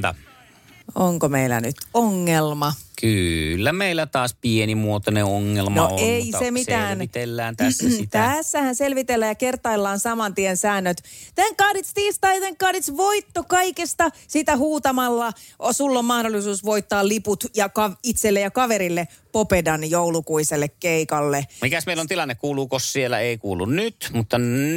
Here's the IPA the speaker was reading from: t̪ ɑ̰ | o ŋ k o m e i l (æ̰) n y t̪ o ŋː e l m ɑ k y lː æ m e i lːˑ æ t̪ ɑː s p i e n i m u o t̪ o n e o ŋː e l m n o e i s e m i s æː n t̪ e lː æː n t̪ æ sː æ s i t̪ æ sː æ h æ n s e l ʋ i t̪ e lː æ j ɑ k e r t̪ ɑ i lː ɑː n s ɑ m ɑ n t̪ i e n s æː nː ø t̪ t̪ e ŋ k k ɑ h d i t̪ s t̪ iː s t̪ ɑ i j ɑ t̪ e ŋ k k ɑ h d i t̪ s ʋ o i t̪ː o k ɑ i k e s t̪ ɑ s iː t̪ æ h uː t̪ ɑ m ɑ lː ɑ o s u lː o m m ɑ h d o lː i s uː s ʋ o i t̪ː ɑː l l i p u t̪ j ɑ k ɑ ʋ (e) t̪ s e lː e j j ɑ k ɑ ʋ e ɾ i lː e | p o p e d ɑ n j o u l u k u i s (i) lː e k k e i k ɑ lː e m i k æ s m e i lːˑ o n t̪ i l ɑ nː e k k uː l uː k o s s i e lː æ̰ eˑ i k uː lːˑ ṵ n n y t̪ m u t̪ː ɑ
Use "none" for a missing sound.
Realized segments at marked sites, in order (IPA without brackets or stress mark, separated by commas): æ̰, i, e